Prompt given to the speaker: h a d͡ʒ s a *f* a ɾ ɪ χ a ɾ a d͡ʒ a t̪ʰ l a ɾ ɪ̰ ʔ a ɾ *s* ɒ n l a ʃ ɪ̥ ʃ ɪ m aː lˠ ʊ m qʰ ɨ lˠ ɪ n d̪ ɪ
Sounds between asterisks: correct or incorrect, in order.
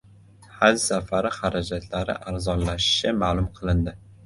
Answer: correct, incorrect

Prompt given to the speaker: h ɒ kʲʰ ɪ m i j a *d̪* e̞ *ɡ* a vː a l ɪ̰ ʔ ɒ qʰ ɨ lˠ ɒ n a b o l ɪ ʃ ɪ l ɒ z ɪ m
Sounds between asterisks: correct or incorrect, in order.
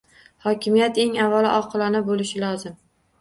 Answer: incorrect, incorrect

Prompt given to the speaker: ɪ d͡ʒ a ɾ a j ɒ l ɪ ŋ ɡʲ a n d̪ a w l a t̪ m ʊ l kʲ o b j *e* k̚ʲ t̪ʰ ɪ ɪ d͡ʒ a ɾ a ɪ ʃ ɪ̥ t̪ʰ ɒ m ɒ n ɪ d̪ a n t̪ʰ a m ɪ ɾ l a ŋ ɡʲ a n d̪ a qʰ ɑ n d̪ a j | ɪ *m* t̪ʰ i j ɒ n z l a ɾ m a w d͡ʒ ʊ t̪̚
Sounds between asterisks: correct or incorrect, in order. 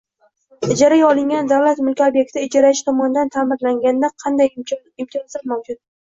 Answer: correct, correct

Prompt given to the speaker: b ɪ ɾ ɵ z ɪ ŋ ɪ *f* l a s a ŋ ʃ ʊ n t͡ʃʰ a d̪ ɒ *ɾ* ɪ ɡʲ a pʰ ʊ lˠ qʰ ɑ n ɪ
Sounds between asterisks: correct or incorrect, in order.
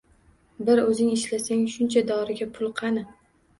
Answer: incorrect, correct

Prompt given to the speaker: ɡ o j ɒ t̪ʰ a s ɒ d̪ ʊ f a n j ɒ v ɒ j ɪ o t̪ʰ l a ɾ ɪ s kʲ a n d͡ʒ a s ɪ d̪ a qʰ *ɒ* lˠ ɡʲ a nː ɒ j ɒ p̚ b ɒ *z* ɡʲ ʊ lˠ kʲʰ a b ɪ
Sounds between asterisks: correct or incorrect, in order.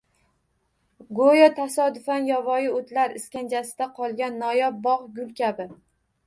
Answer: correct, incorrect

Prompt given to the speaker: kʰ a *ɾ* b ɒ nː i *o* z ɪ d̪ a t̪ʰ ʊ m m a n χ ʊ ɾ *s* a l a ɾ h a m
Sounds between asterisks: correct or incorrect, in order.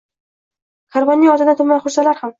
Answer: correct, incorrect, correct

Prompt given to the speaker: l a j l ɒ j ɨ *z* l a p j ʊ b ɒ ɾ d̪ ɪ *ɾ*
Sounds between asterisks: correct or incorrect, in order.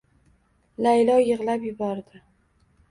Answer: incorrect, incorrect

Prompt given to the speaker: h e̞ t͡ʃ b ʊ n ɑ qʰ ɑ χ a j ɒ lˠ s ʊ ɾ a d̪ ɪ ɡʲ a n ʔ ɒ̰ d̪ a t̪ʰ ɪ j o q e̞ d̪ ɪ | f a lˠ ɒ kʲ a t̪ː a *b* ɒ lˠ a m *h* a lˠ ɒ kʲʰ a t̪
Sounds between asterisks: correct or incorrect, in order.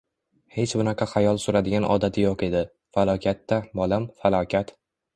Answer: correct, incorrect

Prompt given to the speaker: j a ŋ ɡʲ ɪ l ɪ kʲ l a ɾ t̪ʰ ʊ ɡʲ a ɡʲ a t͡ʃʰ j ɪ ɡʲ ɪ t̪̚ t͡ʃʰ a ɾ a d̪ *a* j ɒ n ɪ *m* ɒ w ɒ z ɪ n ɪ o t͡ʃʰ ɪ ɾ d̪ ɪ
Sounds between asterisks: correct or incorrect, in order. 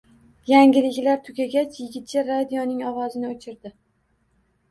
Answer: incorrect, incorrect

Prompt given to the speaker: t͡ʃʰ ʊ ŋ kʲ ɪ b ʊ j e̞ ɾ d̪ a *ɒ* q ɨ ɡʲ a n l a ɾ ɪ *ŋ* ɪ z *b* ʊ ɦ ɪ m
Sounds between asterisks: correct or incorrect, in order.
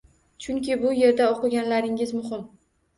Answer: incorrect, correct, incorrect

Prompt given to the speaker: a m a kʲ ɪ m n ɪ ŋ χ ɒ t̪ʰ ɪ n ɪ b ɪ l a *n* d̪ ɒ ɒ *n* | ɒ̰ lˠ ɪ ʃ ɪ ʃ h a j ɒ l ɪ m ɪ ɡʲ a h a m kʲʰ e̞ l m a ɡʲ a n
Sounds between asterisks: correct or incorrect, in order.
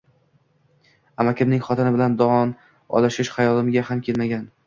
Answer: correct, correct

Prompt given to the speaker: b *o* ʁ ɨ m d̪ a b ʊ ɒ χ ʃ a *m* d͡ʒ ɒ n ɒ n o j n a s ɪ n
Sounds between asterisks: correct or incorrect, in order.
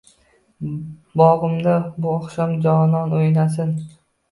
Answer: incorrect, correct

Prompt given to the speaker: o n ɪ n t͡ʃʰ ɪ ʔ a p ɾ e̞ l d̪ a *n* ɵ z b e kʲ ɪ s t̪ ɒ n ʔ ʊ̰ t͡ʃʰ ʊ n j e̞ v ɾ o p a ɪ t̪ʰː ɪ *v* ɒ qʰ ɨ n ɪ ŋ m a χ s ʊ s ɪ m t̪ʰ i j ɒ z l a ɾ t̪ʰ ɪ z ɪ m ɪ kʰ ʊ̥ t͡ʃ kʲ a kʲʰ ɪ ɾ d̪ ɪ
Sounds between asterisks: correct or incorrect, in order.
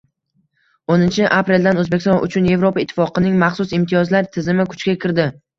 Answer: correct, incorrect

